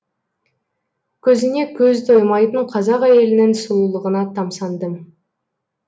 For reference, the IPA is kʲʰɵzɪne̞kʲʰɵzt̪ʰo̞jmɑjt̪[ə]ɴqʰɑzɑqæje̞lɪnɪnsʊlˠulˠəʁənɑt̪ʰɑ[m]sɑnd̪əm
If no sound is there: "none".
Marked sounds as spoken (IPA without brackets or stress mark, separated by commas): ə, m